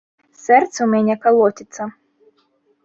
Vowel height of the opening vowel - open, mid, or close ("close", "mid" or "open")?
mid